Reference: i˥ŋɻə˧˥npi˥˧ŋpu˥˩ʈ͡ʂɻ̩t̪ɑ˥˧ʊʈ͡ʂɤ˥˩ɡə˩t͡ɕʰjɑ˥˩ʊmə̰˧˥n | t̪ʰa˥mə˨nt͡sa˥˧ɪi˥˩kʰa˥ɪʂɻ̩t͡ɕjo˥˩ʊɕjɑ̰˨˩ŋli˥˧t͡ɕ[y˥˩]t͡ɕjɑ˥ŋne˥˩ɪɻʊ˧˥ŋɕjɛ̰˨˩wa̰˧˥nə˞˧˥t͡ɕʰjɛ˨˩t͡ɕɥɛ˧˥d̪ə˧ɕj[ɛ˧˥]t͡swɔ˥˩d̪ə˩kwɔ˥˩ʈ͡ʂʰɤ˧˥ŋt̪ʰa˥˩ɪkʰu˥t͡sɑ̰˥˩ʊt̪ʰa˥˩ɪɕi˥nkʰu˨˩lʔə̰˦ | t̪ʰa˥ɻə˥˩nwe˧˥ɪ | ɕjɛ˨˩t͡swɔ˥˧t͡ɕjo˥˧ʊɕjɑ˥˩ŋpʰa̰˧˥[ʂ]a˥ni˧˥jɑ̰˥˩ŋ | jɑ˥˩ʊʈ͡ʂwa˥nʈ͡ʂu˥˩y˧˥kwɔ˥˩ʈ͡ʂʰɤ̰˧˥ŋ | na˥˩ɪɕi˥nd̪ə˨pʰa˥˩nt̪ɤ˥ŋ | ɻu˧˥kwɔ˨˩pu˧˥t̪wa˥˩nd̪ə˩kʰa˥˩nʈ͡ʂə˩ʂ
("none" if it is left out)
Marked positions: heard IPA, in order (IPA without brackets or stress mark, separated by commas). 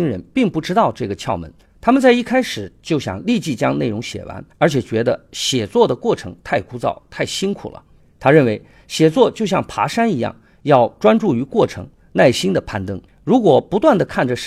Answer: i˥˩, ɛ˨˩, ʂ